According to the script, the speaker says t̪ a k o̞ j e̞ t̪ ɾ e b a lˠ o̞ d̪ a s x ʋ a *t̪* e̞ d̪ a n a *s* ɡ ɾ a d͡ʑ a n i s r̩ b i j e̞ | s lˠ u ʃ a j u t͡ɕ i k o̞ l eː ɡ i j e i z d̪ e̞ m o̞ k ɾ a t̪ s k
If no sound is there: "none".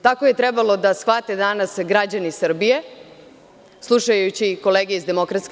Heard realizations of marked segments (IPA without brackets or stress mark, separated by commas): t̪, s